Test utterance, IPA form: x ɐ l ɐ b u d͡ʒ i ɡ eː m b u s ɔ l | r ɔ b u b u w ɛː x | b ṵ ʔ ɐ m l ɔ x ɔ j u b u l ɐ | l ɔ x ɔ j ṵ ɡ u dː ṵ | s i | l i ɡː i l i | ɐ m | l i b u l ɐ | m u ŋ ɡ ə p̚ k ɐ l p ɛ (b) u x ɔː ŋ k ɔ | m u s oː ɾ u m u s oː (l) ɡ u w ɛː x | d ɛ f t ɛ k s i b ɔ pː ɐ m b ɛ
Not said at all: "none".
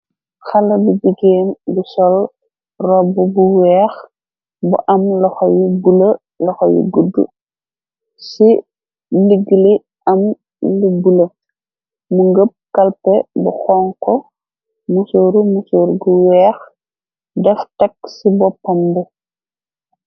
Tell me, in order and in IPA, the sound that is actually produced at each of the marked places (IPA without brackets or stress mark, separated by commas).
b, ɾ